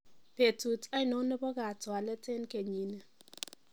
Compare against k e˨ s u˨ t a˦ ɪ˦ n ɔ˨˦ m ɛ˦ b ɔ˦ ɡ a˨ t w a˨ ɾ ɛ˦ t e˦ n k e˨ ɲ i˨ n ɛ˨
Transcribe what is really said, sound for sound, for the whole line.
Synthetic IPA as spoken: p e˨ t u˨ t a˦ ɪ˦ n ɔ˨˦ n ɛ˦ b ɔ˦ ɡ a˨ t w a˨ l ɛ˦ t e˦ n k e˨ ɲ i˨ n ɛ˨

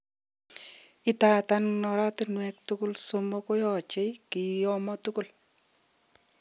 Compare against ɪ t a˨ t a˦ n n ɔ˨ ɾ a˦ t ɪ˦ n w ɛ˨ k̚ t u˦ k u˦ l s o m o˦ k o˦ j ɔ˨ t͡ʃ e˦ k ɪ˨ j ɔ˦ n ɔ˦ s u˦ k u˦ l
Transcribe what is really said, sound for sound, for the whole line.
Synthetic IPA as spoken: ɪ t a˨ t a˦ n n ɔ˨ ɾ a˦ t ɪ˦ n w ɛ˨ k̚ t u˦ k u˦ l s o m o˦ k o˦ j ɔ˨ t͡ʃ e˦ k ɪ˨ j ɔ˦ m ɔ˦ t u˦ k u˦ l

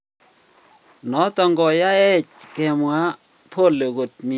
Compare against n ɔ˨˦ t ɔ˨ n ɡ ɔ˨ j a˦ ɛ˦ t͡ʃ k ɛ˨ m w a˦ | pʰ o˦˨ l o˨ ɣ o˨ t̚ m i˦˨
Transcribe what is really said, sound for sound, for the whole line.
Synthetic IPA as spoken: n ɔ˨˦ t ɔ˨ ŋ ɡ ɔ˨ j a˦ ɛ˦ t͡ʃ k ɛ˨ m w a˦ | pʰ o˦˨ l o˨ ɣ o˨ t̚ m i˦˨

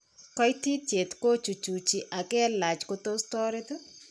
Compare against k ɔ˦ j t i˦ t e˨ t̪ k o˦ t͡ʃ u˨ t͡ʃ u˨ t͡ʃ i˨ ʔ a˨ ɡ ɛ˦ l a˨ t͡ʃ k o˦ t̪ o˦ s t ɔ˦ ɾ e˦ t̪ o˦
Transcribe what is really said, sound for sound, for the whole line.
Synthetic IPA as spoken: k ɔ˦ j t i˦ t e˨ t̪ k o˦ t͡ʃ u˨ t͡ʃ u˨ t͡ʃ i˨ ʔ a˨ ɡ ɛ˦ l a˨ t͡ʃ k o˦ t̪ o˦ s t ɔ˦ ɾ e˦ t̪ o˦

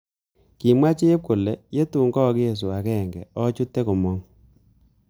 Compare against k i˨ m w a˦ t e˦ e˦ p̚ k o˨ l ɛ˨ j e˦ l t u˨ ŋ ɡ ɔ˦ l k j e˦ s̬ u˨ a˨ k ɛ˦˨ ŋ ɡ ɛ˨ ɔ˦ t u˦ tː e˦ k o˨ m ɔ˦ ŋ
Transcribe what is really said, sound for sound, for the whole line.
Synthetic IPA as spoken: k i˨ m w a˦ t͡ʃ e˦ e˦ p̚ k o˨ l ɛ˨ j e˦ t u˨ ŋ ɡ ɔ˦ k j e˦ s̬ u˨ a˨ k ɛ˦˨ ŋ ɡ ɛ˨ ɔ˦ t͡ʃ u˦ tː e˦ k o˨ m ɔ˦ ŋ

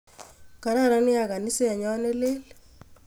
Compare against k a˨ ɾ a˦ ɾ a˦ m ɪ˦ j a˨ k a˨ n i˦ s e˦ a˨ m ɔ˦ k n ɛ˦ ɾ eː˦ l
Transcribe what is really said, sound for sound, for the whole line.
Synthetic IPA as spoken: k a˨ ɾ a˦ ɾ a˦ n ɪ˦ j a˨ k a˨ n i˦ s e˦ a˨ ɲ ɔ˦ n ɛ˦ l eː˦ l

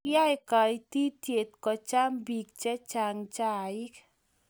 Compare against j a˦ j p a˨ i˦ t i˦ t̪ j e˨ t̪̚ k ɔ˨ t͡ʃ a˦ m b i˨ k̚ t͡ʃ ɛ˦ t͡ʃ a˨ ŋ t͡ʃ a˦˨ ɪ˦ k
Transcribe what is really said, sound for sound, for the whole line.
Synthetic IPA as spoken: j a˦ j k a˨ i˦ t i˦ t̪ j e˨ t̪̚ k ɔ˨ t͡ʃ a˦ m b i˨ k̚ t͡ʃ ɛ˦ t͡ʃ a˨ ŋ t͡ʃ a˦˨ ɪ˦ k

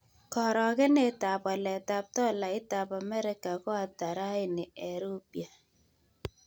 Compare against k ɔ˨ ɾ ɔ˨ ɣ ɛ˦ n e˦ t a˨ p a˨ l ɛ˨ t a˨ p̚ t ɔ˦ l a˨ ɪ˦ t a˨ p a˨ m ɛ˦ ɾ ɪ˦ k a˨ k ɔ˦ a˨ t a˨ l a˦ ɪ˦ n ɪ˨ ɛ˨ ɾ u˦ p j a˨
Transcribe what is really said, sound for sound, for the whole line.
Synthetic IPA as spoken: k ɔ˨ ɾ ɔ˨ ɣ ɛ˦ n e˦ t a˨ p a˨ l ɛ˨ t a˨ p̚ t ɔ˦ l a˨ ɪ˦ t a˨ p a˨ m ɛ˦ ɾ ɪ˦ k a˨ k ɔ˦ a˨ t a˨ ɾ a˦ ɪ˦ n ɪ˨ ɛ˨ ɾ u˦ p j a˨

